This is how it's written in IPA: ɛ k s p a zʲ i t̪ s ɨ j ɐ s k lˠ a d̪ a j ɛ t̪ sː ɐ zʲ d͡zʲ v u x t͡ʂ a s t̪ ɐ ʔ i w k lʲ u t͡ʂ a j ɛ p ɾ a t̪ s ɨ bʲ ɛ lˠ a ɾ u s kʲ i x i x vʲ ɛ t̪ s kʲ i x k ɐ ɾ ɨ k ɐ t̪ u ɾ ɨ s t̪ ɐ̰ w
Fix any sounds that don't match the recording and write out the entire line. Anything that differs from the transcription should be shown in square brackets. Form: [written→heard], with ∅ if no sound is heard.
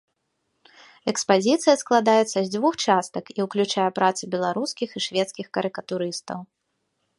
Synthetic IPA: ɛ k s p a zʲ i t̪ s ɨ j ɐ s k lˠ a d̪ a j ɛ t̪ sː ɐ zʲ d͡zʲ v u x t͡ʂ a s t̪ ɐ [ʔ→k] i w k lʲ u t͡ʂ a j ɛ p ɾ a t̪ s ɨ bʲ ɛ lˠ a ɾ u s kʲ i x i [x→ʂ] vʲ ɛ t̪ s kʲ i x k ɐ ɾ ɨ k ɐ t̪ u ɾ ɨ s t̪ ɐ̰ w

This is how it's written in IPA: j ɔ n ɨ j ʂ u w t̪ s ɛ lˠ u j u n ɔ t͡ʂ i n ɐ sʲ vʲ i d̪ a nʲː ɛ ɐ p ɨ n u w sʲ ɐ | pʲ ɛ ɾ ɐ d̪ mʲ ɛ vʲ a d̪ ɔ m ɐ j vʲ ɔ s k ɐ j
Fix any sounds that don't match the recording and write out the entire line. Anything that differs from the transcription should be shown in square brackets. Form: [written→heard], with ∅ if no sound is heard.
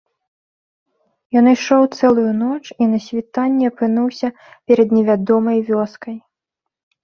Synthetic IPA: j ɔ n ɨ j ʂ [u→ɔ] w t̪ s ɛ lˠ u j u n ɔ t͡ʂ i n ɐ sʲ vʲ i [d̪→t̪] a nʲː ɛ ɐ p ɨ n u w sʲ ɐ | pʲ ɛ ɾ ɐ d̪ [mʲ→nʲ] ɛ vʲ a d̪ ɔ m ɐ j vʲ ɔ s k ɐ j

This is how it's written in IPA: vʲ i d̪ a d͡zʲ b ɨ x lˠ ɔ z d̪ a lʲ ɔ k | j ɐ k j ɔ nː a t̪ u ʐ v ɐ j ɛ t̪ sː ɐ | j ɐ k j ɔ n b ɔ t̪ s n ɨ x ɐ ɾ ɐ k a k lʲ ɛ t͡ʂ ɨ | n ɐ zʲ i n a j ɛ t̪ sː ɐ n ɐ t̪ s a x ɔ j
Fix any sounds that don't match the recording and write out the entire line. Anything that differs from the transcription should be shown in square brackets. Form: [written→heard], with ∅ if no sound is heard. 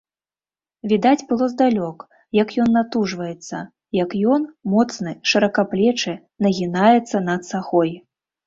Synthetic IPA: vʲ i d̪ a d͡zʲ b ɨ [x→∅] lˠ ɔ z d̪ a lʲ ɔ k | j ɐ k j ɔ nː a t̪ u ʐ v ɐ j ɛ t̪ sː ɐ | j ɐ k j ɔ n [b→m] ɔ t̪ s n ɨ [x→ʂ] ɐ ɾ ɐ k a [k→p] lʲ ɛ t͡ʂ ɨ | n ɐ [zʲ→ɣʲ] i n a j ɛ t̪ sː ɐ n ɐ t̪ s a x ɔ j

